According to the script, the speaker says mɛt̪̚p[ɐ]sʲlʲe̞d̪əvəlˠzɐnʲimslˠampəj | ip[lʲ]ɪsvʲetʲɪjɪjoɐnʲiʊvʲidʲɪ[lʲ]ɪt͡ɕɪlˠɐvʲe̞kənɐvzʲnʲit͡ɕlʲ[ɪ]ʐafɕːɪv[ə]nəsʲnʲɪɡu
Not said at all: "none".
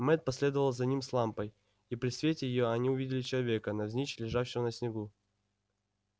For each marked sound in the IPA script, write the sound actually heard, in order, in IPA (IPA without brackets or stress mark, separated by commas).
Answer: ɐ, ɾʲ, lʲ, ɪ, ə